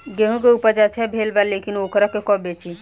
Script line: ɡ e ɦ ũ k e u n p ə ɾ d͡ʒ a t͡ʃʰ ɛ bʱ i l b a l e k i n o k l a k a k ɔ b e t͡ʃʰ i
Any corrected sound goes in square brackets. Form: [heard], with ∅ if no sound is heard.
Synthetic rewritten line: ɡ e ɦ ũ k e u [∅] p ə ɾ d͡ʒ a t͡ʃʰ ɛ bʱ [e] l b a l e k i n o k [ɾ] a k [e] k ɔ b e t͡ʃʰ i